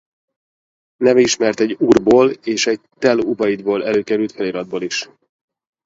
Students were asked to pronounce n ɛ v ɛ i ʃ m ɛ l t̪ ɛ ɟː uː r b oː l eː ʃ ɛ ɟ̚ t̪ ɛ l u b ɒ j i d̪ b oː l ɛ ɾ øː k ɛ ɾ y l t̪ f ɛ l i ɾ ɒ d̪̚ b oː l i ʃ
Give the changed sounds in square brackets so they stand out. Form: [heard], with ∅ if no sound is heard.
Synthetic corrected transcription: n ɛ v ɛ i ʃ m ɛ [r] t̪ ɛ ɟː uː r b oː l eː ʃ ɛ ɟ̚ t̪ ɛ l u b ɒ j i d̪ b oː l ɛ [l] øː k ɛ ɾ y l t̪ f ɛ l i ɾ ɒ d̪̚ b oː l i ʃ

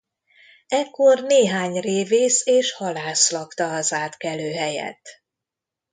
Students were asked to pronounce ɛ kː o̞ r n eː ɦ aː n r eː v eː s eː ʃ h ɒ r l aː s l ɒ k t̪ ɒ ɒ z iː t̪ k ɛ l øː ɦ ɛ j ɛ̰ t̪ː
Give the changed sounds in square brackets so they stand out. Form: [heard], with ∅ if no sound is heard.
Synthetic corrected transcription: ɛ kː o̞ r n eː ɦ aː [ɲ] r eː v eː s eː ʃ h ɒ [∅] l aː s l ɒ k t̪ ɒ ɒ z [aː] t̪ k ɛ l øː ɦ ɛ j ɛ̰ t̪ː

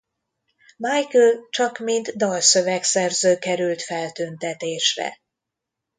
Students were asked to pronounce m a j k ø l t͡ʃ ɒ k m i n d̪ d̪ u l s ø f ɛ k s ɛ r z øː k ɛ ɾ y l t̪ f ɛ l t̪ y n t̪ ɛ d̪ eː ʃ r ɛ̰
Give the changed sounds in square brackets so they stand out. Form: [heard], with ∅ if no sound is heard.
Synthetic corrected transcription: m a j k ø l t͡ʃ ɒ k m i n d̪ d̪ [ɒ] l s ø [v] ɛ k s ɛ r z øː k ɛ ɾ y l t̪ f ɛ l t̪ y n t̪ ɛ [t̪] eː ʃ r ɛ̰

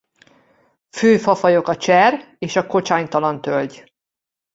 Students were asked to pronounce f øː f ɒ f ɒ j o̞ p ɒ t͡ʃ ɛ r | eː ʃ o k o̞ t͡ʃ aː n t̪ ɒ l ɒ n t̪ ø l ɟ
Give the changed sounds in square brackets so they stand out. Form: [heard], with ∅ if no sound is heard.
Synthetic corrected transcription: f øː f ɒ f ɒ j o̞ [k] ɒ t͡ʃ ɛ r | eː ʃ [ɒ] k o̞ t͡ʃ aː [ɲ] t̪ ɒ l ɒ n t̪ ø l ɟ

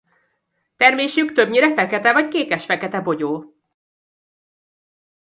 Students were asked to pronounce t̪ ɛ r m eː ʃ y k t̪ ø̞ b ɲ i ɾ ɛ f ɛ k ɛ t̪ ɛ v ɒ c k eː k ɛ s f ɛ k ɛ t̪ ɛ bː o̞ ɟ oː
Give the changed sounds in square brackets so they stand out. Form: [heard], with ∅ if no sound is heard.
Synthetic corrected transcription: t̪ ɛ r m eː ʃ y k t̪ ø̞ b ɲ i ɾ ɛ f ɛ k ɛ t̪ ɛ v ɒ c k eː k ɛ [ʃ] f ɛ k ɛ t̪ ɛ [b] o̞ ɟ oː

